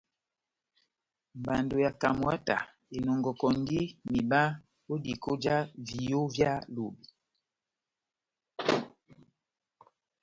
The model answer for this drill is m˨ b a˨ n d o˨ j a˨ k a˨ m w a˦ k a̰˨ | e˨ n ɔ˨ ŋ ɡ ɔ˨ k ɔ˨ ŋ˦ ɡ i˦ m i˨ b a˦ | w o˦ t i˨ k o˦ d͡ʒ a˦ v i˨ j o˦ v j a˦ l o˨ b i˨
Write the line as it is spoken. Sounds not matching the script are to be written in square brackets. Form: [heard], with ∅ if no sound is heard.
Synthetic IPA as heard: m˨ b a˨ n d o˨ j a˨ k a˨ m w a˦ [t] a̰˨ | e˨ n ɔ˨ ŋ ɡ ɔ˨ k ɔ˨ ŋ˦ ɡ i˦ m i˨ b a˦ | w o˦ [d] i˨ k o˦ d͡ʒ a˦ v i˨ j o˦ v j a˦ l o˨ b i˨